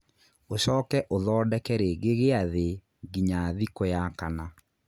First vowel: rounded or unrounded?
rounded